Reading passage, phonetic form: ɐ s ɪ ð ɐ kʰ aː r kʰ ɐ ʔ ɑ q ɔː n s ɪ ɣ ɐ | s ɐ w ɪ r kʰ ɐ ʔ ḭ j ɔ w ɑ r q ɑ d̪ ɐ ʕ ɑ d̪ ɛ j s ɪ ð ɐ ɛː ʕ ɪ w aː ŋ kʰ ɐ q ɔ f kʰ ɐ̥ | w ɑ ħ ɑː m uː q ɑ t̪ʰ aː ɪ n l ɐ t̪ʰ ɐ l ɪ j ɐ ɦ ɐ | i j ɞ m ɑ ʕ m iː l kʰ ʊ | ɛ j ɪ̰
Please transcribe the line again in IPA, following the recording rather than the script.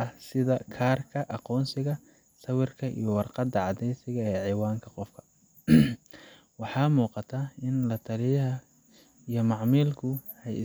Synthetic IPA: ɐ s ɪ ð ɐ kʰ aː r kʰ ɐ ʔ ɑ q ɔː n s ɪ ɣ ɐ | s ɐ w ɪ r kʰ ɐ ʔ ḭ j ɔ w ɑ r q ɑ d̪ ɐ ʕ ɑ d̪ ɛ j s ɪ ɣ ɐ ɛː ʕ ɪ w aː ŋ kʰ ɐ q ɔ f kʰ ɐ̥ | w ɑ ħ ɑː m uː q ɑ t̪ʰ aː ɪ n l ɐ t̪ʰ ɐ l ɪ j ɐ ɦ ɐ | i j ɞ m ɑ ʕ m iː l kʰ ʊ | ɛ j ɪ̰

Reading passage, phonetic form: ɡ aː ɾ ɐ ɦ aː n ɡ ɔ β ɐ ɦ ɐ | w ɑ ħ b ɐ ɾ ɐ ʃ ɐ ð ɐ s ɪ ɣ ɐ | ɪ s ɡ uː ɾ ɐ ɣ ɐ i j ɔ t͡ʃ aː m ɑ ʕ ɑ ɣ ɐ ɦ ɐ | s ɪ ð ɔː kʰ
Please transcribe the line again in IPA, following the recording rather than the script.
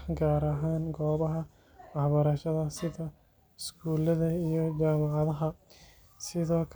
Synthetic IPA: ɡ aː ɾ ɐ ɦ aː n ɡ ɔː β ɐ ɦ ɐ | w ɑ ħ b ɐ ɾ ɐ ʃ ɐ ð ɐ s ɪ ð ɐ | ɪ s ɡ uː l ɐ ð ɐ i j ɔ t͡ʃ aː m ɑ ʕ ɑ ð ɐ ɦ ɐ | s ɪ ð ɔː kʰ

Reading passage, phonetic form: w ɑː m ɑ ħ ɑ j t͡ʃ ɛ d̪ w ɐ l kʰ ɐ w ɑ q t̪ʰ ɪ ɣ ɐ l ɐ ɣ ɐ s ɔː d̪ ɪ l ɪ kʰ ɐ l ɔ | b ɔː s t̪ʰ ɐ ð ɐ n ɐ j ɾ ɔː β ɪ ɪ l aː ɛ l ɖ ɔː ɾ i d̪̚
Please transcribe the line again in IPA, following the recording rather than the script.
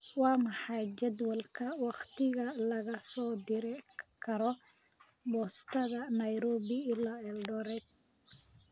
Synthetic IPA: w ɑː m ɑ ħ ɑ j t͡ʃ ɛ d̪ w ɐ l kʰ ɐ w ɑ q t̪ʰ ɪ ɣ ɐ l ɐ ɣ ɐ s ɔː d̪ ɪ ɾ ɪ kʰ ɐ ɾ ɔ | b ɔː s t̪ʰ ɐ ð ɐ n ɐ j ɾ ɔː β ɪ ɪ l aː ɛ l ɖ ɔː ɾ ɛ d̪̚

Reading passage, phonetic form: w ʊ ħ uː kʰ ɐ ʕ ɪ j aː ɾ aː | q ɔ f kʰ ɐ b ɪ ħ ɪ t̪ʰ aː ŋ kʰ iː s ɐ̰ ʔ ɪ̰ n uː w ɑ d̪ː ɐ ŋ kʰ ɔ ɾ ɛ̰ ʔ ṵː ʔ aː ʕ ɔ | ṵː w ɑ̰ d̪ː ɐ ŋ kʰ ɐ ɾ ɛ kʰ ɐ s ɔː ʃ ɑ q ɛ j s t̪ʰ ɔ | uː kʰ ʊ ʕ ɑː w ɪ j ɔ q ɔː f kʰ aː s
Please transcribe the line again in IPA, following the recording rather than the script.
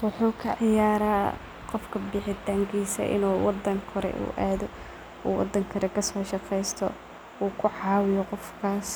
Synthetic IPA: w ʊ ħ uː kʰ ɐ ʕ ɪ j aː ɾ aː | q ɔ f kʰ ɐ b ɪ ħ ɪ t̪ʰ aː ŋ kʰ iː s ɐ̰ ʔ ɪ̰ n uː w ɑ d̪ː ɐ ŋ kʰ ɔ ɾ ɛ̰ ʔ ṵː ʔ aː ð ɔ | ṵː w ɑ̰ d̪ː ɐ ŋ kʰ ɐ ɾ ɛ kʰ ɐ s ɔː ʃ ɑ q ɛ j s t̪ʰ ɔ | uː kʰ ʊ ʕ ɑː w ɪ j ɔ q ɔ f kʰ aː s

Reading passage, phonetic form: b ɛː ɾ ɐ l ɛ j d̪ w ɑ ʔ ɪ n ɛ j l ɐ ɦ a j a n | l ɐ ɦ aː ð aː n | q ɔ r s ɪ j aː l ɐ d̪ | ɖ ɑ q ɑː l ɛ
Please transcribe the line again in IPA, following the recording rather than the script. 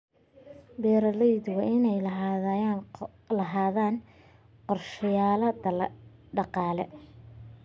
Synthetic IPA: b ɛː ɾ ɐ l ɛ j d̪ w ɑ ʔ ɪ n ɛ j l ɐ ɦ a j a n | l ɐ ɦ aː ð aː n | q ɔ r ʃ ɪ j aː l ɐ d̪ | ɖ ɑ q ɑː l ɛ

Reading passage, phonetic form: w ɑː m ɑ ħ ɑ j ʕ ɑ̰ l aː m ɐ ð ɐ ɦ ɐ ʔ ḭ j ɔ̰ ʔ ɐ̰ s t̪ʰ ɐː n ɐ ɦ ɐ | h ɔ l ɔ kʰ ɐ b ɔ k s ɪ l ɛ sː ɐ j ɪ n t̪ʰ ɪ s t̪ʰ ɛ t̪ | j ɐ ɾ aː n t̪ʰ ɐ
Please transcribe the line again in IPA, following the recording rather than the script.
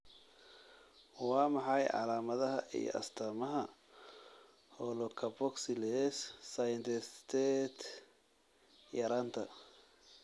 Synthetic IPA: w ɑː m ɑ ħ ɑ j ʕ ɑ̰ l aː m ɐ ð ɐ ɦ ɐ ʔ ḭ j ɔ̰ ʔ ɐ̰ s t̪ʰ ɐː m ɐ ɦ ɐ | h ɔ l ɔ kʰ ɐ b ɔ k s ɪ l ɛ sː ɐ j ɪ n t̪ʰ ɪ s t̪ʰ ɛ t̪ | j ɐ ɾ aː n t̪ʰ ɐ

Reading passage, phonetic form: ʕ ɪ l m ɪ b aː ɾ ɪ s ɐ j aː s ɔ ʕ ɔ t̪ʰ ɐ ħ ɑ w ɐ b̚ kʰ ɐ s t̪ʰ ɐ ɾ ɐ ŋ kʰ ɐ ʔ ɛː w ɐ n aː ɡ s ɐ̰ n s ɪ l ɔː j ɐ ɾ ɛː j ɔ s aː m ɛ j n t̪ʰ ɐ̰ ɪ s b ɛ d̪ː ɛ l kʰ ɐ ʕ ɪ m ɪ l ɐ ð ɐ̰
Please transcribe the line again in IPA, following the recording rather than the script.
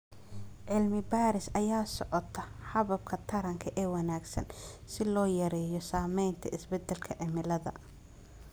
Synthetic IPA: ʕ ɪ l m ɪ b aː ɾ ɪ s ɐ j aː s ɔ ʕ ɔ t̪ʰ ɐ ħ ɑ β ɐ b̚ kʰ ɐ t̪ʰ ɐ ɾ ɐ ŋ kʰ ɐ ʔ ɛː w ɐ n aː ɡ s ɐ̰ n s ɪ l ɔː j ɐ ɾ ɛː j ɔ s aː m ɛ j n t̪ʰ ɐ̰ ɪ s b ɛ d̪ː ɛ l kʰ ɐ ʕ ɪ m ɪ l ɐ ð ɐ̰

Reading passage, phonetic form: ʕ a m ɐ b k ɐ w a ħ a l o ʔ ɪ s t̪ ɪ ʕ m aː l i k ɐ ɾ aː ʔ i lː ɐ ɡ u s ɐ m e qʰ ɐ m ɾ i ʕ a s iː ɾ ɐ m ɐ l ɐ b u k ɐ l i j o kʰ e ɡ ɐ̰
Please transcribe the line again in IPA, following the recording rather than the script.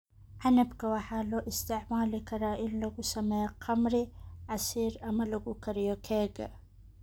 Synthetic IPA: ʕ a n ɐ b k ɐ w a ħ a l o ʔ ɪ s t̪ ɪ ʕ m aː l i k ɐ ɾ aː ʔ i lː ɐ ɡ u s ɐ m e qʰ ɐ m ɾ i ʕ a s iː ɾ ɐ m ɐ l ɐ ɡ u k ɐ ɾ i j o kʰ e ɡ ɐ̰

